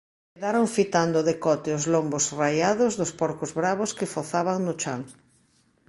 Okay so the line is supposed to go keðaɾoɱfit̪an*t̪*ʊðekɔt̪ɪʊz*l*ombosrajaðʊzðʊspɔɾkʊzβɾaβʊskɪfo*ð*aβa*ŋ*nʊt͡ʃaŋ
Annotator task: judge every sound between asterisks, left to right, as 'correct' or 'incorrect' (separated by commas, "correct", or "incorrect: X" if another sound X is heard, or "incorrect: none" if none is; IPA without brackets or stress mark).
incorrect: d̪, correct, incorrect: θ, correct